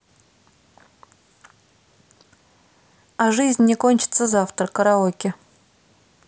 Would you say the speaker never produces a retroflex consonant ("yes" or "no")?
no